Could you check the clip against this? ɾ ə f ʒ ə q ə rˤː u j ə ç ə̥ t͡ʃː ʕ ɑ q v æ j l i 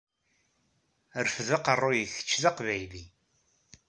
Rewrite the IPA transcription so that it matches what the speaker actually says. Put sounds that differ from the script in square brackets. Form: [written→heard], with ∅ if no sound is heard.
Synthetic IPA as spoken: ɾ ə f [ʒ→ð] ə q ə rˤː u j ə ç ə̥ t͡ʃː [ʕ→ð] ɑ q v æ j l i